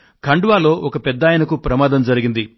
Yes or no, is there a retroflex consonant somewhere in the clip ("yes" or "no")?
yes